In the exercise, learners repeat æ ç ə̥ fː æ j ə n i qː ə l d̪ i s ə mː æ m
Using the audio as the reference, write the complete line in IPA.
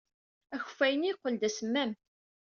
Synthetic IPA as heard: æ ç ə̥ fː æ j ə n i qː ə l d̪ æ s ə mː æ m